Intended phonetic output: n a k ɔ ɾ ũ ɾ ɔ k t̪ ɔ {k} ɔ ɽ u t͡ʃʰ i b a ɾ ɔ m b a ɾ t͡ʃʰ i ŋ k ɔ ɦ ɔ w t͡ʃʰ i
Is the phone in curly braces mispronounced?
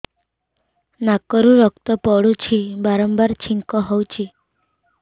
yes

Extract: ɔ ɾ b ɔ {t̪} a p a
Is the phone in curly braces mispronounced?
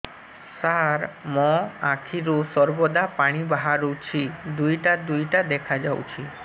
yes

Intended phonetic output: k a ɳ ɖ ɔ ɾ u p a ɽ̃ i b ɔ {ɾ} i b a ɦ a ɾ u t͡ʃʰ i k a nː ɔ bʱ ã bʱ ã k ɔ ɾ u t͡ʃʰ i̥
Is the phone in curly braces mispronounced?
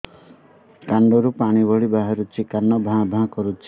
yes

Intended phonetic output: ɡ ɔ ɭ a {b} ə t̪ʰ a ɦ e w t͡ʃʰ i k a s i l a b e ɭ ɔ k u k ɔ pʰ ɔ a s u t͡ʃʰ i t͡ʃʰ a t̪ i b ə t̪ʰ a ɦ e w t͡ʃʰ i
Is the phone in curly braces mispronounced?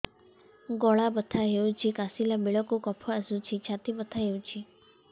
no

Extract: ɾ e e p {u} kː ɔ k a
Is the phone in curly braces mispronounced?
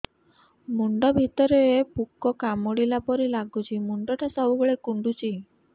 no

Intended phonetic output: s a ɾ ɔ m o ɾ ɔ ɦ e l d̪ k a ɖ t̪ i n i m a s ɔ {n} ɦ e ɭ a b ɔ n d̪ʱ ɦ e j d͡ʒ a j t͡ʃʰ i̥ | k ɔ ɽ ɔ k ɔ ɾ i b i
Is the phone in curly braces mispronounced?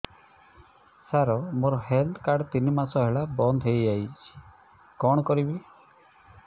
yes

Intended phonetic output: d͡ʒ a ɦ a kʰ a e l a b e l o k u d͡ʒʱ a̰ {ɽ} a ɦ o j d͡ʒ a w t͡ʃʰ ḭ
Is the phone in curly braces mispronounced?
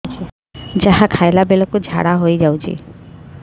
no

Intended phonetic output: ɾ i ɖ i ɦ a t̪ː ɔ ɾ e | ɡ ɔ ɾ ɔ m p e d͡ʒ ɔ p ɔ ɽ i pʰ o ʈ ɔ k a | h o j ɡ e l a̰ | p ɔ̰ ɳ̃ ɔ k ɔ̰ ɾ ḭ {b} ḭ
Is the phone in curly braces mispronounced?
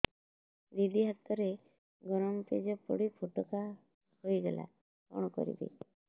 no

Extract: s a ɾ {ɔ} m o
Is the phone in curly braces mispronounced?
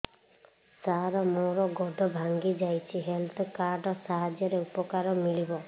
no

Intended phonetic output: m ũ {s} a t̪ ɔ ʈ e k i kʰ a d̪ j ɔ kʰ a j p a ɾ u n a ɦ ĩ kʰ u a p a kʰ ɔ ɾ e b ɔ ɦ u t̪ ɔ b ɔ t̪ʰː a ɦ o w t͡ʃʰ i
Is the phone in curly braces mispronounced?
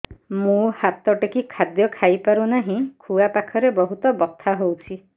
yes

